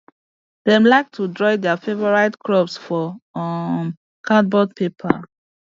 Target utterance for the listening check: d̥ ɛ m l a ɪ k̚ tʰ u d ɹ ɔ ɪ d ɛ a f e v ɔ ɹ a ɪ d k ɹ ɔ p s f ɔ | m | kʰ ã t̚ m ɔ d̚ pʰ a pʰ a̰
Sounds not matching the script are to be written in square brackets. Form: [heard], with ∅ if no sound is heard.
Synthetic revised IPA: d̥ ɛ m l a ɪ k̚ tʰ u d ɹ ɔ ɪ d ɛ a f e v ɔ ɹ a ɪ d k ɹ ɔ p s f ɔ | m | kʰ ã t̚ [b] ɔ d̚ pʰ [e] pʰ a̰